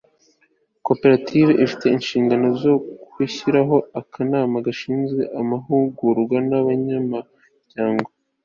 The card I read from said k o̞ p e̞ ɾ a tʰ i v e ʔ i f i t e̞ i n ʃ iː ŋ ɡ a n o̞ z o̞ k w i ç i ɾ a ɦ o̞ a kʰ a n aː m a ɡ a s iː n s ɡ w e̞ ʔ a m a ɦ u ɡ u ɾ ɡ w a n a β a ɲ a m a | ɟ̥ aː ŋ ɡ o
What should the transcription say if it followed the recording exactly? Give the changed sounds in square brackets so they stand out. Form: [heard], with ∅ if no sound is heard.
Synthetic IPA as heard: k o̞ p e̞ ɾ a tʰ i v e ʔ i f i t e̞ i n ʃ iː ŋ ɡ a n o̞ z o̞ k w i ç i ɾ a ɦ o̞ a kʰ a n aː m a ɡ a [ʃ] iː n [z] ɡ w e̞ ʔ a m a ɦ u ɡ u ɾ ɡ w a n a β a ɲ a m a | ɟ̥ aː ŋ ɡ o